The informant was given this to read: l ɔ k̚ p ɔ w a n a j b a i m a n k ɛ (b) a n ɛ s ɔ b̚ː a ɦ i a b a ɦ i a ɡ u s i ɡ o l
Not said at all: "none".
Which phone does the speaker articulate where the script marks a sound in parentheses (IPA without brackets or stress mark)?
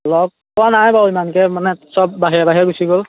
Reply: m